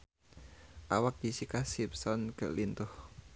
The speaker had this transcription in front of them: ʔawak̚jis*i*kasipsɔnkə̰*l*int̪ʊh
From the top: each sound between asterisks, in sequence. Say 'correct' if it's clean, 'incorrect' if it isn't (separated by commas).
correct, correct